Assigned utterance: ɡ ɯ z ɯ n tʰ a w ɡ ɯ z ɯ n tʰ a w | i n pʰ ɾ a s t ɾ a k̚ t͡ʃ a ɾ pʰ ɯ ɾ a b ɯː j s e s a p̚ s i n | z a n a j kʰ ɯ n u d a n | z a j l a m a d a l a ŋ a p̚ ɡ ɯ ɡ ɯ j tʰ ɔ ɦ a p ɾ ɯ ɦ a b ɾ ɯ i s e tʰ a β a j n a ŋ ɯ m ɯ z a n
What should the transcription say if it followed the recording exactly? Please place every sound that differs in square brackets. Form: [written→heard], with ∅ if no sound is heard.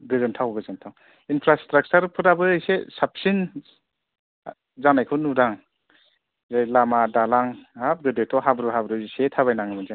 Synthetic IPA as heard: ɡ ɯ z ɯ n tʰ a w ɡ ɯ z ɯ n tʰ a w | i n pʰ ɾ a s t ɾ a k̚ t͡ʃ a ɾ pʰ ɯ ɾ a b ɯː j s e s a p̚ s i n | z a n a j kʰ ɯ n u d a [n→ŋ] | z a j l a m a d a l a ŋ a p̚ ɡ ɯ [ɡ→d] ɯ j tʰ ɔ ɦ a [p→b] ɾ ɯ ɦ a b ɾ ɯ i s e tʰ a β a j n a ŋ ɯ m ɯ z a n